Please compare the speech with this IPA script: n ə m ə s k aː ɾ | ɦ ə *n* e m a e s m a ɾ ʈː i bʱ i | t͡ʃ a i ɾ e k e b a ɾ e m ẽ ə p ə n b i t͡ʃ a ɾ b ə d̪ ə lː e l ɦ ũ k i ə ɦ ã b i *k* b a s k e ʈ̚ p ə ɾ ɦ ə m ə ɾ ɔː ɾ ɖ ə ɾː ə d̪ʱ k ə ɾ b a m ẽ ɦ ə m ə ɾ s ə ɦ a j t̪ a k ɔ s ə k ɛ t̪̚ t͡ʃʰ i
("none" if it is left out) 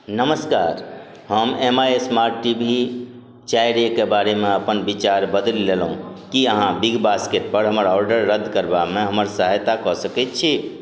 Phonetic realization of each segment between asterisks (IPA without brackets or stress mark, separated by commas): m, ɡ